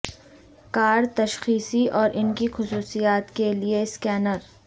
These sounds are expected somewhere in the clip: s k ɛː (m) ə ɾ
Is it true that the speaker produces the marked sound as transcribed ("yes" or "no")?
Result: no